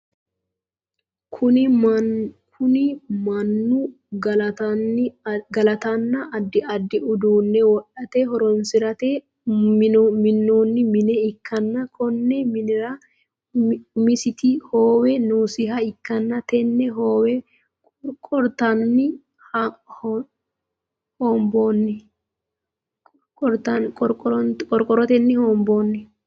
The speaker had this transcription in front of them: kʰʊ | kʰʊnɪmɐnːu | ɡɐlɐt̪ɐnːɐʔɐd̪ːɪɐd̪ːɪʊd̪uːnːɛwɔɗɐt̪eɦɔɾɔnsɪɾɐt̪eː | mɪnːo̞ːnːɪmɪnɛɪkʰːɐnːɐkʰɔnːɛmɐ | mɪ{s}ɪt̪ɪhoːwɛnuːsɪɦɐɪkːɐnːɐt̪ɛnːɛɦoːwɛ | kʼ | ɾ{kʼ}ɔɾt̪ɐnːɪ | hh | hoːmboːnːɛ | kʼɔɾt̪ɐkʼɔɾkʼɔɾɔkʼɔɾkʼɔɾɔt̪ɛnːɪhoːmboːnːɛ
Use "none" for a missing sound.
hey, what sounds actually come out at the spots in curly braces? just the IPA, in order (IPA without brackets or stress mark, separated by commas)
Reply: s, kʼ